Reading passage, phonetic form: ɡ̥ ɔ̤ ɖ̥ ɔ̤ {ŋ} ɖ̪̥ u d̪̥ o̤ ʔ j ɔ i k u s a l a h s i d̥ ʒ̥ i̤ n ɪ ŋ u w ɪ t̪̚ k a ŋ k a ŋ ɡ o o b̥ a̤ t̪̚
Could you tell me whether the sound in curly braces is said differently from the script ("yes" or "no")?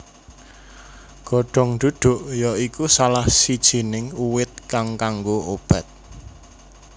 no